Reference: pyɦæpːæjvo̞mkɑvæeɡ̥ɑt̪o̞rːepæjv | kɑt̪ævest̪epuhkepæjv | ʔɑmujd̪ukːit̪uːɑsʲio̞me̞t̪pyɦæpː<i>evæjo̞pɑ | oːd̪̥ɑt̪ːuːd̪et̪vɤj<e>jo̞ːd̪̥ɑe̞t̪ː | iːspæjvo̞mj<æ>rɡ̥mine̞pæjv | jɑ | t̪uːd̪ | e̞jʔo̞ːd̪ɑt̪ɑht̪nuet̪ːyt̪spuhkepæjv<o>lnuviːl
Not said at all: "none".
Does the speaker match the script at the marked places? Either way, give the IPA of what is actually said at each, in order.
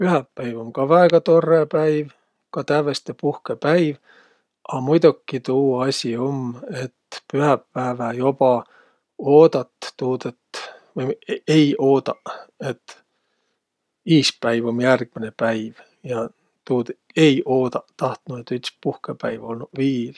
æ, e, æ, o

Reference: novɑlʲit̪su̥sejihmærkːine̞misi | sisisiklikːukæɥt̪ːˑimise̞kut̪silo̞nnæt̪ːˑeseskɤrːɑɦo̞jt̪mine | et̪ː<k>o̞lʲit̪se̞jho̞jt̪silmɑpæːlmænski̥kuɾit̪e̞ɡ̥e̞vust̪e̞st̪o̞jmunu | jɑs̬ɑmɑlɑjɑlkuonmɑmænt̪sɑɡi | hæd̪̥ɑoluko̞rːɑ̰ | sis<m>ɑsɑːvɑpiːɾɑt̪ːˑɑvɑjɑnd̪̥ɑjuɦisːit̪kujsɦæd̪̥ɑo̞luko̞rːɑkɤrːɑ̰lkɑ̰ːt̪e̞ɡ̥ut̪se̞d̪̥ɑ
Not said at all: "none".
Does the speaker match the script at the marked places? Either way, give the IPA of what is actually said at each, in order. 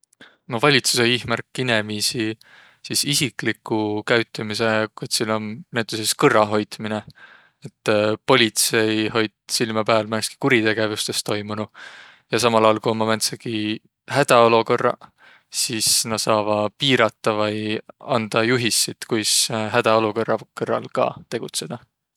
p, n

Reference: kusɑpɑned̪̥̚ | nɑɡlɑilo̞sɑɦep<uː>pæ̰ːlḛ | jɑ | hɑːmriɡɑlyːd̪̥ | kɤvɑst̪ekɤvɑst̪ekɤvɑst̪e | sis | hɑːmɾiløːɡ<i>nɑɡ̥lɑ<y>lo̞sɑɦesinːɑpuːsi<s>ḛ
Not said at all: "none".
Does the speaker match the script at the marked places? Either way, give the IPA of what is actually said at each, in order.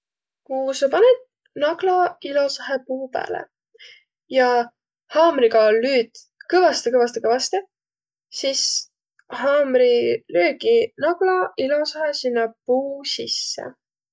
uː, i, i, sː

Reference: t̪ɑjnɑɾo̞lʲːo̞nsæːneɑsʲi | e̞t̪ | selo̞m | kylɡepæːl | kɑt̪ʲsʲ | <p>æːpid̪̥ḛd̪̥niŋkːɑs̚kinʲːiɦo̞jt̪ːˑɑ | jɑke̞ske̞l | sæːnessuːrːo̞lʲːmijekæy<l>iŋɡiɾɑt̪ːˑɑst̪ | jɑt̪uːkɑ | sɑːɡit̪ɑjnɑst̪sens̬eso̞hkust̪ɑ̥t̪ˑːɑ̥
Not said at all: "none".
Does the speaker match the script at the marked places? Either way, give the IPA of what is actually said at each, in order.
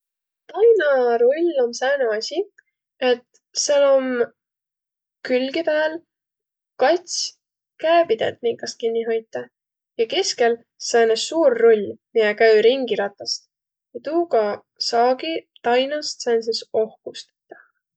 k, ɾ

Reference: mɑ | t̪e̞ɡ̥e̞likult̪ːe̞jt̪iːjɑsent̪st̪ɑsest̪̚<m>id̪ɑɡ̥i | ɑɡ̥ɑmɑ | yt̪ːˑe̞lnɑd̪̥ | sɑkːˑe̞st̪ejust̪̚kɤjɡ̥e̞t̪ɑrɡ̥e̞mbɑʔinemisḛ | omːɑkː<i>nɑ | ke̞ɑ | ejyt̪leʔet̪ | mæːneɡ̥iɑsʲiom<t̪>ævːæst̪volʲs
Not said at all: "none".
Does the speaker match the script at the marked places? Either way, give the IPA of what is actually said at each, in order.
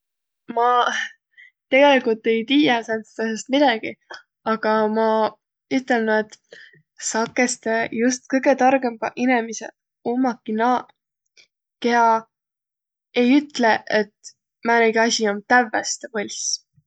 m, i, t̪

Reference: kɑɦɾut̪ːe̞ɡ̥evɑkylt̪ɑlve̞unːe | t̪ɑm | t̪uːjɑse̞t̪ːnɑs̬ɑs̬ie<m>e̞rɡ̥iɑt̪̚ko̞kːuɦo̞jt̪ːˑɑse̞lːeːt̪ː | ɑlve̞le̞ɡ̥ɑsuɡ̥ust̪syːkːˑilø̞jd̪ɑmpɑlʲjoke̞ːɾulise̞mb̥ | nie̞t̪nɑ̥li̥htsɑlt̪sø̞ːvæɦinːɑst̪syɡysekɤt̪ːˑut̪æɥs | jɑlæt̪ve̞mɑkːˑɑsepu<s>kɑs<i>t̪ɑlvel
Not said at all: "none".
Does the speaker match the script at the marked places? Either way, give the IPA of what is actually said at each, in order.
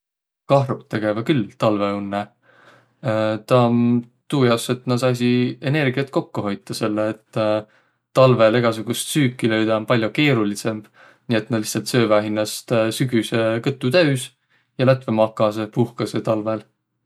n, h, e

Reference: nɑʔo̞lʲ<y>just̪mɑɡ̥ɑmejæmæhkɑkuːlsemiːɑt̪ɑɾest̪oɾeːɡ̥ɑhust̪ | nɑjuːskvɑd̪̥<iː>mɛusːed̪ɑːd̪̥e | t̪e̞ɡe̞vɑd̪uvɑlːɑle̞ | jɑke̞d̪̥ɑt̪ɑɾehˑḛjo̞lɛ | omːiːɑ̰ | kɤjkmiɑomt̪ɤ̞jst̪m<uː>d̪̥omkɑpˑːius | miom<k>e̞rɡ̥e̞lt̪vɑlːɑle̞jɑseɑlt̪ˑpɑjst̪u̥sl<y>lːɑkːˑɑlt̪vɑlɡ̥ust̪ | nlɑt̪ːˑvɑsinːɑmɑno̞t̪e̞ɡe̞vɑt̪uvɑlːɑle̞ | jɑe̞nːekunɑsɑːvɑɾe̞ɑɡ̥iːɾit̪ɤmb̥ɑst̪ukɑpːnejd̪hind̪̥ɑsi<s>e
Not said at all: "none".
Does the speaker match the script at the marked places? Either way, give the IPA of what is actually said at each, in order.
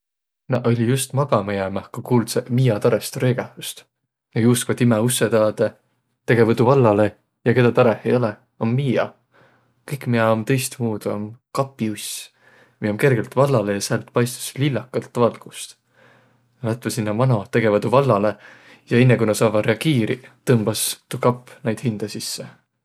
i, i, uː, k, i, sː

